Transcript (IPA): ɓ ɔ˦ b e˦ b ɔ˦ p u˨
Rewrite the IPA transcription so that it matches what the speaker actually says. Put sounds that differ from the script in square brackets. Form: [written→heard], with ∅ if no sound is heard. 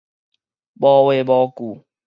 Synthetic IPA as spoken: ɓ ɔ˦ [b→w] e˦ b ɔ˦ [p→k] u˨